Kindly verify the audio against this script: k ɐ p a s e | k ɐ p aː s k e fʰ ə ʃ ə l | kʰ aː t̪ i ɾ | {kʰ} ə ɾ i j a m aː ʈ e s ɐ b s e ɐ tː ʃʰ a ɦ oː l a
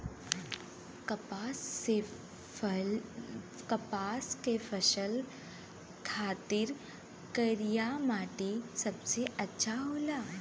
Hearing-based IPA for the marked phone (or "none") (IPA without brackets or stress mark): k